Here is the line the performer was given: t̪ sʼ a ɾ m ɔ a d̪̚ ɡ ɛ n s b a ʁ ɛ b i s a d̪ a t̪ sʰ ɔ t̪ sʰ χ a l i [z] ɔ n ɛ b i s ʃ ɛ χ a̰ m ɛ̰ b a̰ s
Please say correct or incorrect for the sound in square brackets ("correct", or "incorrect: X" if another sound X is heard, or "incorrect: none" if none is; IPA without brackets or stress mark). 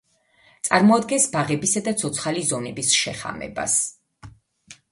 correct